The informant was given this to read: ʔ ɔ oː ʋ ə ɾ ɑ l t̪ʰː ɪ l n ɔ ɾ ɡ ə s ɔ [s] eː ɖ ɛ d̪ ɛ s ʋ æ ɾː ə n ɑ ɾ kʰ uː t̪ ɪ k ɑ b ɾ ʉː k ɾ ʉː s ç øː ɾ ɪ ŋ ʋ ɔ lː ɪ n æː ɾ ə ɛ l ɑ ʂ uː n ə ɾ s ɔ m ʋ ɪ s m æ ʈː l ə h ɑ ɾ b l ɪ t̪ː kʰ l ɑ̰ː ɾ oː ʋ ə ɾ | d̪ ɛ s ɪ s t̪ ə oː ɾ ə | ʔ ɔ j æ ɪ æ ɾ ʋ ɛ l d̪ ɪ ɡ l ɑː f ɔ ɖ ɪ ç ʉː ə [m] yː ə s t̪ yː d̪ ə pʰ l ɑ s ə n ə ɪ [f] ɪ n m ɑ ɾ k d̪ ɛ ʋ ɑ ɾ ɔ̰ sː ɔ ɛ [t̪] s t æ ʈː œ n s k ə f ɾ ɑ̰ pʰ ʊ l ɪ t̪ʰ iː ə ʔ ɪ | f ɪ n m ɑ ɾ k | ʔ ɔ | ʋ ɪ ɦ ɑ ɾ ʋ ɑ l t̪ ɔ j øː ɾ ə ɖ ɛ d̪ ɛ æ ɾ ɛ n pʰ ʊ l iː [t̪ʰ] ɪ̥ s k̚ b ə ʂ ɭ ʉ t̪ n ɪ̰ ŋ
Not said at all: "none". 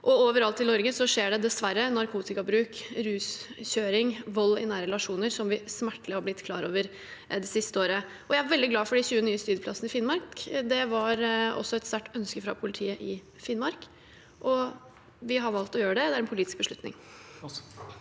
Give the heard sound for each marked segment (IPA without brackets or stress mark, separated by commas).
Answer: ʂ, n, f, t̪, t̪